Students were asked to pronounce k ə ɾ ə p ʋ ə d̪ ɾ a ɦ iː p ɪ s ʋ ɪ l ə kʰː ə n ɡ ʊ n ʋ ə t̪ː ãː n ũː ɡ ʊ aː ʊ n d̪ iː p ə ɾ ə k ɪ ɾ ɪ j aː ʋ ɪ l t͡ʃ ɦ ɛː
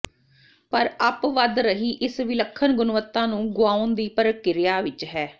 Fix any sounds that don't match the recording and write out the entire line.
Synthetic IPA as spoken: p ə ɾ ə p ʋ ə d̪ ɾ ə ɦ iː ʔ ɪ s ʋ ɪ l ə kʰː ə n ɡ ʊ n ʋ ə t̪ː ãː n ũː ɡ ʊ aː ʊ n d̪ iː p ə ɾ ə k ɪ ɾ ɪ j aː ʋ ɪ t͡ʃ ɦ ɛː